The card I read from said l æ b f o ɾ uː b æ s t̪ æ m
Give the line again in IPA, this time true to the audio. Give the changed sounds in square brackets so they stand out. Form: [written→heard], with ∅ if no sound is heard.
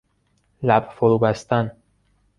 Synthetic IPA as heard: l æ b f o ɾ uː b æ s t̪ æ [m→n]